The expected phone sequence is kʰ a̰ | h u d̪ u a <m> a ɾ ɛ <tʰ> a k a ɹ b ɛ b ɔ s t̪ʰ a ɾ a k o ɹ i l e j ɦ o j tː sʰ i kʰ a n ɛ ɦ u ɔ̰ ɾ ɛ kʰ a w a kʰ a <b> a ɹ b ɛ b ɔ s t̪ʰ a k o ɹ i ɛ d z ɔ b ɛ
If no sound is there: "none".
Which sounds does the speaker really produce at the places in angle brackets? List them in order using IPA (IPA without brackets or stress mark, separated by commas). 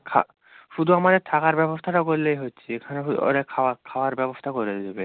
m, tʰ, w